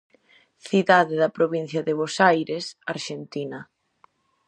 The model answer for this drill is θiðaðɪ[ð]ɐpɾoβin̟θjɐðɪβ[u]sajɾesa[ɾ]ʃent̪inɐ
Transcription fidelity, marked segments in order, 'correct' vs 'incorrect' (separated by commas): correct, incorrect, correct